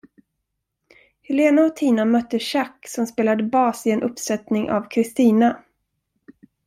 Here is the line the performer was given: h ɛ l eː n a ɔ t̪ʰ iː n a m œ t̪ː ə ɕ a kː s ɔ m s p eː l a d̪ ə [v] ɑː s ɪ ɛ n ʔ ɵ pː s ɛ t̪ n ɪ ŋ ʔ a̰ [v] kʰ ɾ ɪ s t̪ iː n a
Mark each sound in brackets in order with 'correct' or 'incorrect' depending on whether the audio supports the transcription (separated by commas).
incorrect, correct